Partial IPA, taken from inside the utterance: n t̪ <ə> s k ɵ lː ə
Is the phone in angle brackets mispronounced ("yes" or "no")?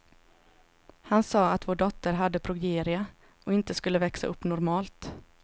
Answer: no